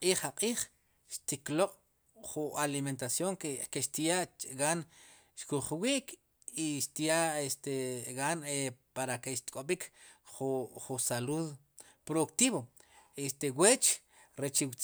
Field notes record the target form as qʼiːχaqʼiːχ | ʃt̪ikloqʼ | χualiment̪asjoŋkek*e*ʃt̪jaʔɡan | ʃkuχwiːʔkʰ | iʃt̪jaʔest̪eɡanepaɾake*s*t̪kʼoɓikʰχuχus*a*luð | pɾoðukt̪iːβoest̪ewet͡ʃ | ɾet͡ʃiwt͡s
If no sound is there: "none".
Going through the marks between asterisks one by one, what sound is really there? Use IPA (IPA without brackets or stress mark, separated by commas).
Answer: e, ʃ, a